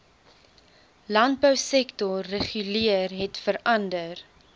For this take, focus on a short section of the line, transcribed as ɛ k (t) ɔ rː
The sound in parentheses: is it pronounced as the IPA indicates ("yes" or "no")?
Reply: yes